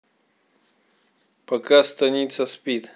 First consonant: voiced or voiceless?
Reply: voiceless